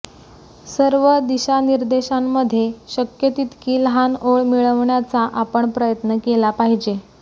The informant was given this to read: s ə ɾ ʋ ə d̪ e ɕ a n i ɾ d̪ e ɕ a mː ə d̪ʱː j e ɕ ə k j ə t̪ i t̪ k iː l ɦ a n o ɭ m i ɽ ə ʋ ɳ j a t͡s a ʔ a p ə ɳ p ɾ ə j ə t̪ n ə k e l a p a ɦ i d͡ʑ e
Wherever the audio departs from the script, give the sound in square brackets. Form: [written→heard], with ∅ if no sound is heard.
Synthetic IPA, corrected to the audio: s ə ɾ ʋ ə d̪ [e→i] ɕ a n i ɾ d̪ e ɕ a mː ə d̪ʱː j e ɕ ə k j ə t̪ i t̪ k iː l ɦ a n o ɭ m i [ɽ→ɭ] ə ʋ ɳ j a t͡s a ʔ a p ə ɳ p ɾ ə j ə t̪ n ə k e l a p a ɦ i d͡ʑ e